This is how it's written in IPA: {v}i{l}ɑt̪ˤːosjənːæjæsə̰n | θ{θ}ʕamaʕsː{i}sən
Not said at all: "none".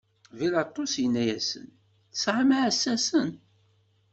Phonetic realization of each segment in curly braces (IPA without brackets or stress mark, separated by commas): v, l, s, æ